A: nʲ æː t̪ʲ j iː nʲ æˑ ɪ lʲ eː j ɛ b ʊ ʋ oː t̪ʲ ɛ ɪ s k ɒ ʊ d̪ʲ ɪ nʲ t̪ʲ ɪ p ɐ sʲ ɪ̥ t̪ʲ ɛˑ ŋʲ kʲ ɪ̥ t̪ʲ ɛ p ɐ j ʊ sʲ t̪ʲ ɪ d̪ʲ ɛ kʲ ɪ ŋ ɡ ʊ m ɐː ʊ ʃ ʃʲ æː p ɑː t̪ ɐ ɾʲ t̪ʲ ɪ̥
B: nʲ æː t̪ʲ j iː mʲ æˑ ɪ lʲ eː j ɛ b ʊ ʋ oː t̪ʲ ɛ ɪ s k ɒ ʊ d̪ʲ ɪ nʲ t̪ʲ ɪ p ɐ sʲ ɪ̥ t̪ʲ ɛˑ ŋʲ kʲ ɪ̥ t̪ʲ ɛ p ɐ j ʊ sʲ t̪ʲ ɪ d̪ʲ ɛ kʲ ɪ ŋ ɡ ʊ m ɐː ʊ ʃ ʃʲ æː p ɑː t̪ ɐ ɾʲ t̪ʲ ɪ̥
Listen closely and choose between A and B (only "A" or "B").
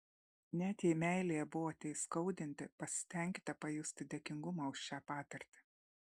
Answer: B